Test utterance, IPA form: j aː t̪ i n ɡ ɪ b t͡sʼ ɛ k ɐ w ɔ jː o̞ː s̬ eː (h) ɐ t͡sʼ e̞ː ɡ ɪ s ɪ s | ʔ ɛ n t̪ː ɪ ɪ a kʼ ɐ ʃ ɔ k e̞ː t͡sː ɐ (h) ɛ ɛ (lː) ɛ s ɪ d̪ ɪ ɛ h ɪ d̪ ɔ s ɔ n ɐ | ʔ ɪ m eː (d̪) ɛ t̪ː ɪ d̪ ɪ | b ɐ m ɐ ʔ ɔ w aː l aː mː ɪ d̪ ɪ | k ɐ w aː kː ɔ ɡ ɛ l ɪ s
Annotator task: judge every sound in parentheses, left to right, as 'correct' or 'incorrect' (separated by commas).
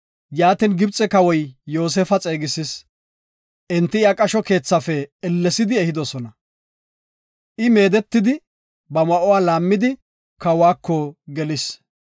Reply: incorrect, incorrect, correct, correct